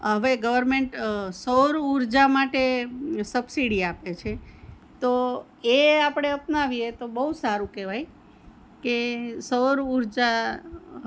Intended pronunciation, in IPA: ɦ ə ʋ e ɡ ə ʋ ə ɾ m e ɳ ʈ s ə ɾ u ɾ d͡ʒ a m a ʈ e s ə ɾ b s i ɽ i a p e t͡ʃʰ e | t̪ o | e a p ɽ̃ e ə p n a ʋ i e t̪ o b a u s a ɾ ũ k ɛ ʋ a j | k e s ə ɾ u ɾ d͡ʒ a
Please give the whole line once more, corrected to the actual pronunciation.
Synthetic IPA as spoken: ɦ ə ʋ e ɡ ə ʋ ə ɾ m e ɳ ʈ s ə ɾ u ɾ d͡ʒ a m a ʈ e s ə b s i ɽ i a p e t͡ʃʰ e | t̪ o | e a p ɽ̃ e ə p n a ʋ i e t̪ o b ə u s a ɾ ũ k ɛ ʋ a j | k e s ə ɾ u ɾ d͡ʒ a